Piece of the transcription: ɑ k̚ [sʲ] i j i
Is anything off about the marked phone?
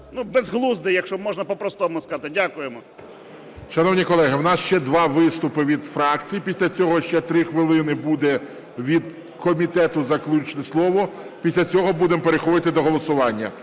yes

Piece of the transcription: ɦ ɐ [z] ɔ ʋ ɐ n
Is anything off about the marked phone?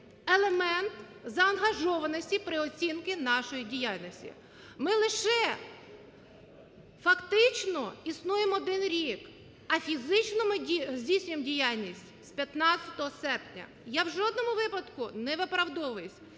yes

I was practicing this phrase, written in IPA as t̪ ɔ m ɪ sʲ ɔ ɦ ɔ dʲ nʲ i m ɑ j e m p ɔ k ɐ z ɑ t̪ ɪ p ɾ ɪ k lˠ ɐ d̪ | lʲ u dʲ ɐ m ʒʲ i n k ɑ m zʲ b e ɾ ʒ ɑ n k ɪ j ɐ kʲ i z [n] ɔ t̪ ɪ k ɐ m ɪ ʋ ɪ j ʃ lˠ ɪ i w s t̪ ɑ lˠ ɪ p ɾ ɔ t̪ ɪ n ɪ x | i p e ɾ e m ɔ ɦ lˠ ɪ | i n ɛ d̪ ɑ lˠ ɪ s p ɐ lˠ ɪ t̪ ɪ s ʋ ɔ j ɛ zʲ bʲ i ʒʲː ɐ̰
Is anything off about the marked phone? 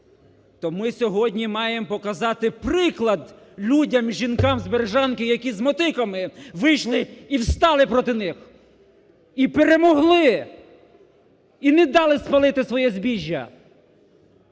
yes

